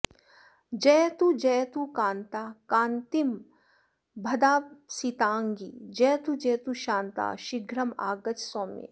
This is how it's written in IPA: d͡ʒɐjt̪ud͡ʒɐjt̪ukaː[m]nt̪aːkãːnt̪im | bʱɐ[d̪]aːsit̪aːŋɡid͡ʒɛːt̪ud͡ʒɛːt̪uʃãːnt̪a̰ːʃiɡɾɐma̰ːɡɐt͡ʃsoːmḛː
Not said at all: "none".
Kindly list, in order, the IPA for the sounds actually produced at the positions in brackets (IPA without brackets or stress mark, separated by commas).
none, d̪